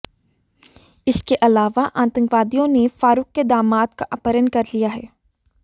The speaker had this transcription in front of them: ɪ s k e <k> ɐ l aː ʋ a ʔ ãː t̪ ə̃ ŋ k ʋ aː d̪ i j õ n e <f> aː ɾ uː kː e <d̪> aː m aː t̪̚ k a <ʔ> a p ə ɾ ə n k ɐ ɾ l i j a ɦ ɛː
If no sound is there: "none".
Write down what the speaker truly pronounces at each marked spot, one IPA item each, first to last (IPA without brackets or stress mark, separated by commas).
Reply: ʔ, f, d̪, ʔ